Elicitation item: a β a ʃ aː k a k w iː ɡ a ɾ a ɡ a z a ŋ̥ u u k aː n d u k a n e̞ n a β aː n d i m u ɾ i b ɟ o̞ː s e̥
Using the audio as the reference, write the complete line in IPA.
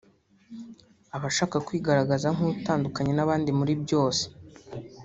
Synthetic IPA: a β a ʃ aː k a k w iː ɡ a ɾ a ɡ a z a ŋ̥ u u t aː n d u k a ɲ e̞ n a β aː n d i m u ɾ i b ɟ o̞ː s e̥